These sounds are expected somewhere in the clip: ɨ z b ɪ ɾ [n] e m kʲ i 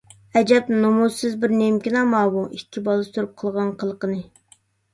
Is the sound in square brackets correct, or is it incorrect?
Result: correct